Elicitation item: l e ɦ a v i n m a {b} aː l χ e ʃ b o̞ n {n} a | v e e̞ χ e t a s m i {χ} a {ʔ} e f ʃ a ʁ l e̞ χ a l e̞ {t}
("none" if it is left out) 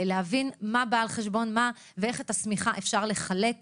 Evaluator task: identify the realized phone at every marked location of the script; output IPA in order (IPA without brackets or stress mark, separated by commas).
b, m, χ, ʔ, k